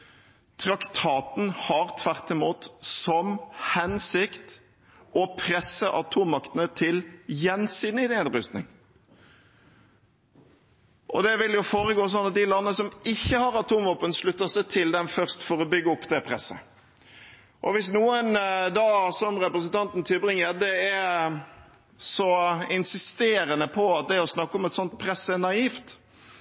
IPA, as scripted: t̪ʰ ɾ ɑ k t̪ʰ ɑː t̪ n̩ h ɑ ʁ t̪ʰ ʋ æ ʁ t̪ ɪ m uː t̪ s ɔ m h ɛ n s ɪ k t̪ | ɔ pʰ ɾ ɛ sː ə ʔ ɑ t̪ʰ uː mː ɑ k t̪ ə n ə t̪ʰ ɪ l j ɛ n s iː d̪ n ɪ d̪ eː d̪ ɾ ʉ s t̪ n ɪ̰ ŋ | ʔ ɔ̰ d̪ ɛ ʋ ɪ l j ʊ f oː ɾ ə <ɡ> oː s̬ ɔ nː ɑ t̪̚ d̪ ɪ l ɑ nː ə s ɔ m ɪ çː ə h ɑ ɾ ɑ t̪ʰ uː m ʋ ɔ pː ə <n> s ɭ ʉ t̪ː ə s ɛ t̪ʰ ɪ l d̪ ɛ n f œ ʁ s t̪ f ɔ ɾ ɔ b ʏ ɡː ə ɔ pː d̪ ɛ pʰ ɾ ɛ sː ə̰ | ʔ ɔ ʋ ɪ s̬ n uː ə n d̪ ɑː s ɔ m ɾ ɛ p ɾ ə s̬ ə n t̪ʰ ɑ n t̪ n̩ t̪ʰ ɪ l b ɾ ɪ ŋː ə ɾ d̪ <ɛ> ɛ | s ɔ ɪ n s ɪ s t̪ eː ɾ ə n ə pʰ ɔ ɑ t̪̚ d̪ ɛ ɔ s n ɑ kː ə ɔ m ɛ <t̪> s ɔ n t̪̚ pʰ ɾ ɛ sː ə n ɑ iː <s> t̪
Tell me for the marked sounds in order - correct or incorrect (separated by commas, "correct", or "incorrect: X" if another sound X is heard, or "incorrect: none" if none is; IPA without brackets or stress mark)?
correct, correct, correct, correct, incorrect: f